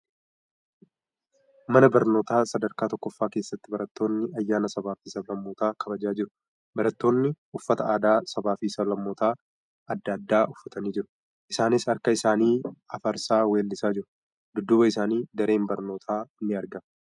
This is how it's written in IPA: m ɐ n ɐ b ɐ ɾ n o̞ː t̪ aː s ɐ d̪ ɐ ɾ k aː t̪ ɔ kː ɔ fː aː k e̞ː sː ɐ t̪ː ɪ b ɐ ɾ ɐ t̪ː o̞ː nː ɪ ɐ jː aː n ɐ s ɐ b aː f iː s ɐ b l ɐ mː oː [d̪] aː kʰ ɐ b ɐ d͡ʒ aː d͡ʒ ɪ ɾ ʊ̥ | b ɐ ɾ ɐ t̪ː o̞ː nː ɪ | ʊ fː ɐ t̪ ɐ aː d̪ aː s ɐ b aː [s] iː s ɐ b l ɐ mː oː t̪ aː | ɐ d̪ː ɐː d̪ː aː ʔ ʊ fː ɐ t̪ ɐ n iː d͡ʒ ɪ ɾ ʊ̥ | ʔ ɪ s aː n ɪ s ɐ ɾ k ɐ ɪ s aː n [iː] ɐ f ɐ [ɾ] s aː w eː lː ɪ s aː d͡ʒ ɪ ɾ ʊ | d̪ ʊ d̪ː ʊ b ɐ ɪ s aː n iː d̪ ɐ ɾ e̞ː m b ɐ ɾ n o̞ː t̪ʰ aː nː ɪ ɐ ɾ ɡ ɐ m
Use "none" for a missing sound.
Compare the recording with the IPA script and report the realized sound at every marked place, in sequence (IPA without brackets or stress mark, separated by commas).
t̪, f, iː, ɾ